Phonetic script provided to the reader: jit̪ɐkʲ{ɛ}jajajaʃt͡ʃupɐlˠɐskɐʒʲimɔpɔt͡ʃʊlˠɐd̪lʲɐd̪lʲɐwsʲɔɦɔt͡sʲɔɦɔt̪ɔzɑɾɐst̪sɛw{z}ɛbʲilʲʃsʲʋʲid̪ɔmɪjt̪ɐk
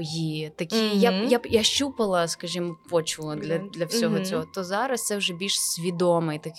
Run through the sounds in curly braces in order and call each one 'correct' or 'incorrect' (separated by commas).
incorrect, incorrect